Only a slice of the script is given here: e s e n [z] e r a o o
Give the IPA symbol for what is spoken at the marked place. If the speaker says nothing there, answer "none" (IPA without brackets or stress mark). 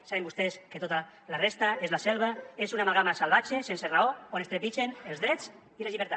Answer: s